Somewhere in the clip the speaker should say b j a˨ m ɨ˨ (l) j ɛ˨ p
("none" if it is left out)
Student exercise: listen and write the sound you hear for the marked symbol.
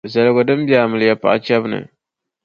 l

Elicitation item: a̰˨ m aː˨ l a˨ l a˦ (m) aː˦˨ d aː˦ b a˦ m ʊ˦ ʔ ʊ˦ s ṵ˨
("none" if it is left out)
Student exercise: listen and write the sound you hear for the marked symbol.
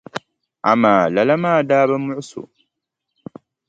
m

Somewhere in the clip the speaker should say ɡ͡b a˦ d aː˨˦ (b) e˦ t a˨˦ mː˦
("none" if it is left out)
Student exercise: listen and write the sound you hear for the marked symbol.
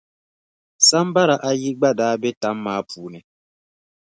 b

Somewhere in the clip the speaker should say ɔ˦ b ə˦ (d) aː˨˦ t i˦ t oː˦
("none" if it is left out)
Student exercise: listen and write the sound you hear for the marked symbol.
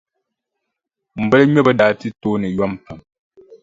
d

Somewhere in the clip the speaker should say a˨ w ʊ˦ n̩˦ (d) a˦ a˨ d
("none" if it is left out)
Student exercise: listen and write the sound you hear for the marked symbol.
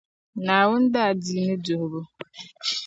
d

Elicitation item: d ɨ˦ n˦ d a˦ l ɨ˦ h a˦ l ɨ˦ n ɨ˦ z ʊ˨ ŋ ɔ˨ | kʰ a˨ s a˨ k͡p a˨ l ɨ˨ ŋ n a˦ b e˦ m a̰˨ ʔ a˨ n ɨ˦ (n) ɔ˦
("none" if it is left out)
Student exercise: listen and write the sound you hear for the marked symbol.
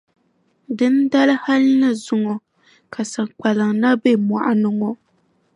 ŋ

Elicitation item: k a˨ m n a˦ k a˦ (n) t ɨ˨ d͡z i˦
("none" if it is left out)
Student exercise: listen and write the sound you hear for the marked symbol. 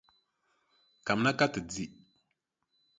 none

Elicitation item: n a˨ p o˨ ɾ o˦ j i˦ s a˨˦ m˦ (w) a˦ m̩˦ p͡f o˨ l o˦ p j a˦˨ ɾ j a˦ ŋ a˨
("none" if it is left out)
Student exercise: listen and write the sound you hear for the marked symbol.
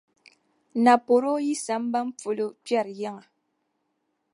b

